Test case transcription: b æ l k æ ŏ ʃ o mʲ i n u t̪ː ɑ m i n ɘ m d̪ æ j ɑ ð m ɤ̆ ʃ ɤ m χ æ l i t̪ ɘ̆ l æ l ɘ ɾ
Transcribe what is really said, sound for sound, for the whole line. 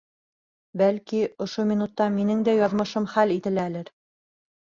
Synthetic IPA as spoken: b æ l k i ŏ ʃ o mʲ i n u t̪ː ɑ m i n ɘ ŋ d̪ æ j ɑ ð m ɤ̆ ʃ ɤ m χ æ l i t̪ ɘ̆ l æ l ɘ ɾ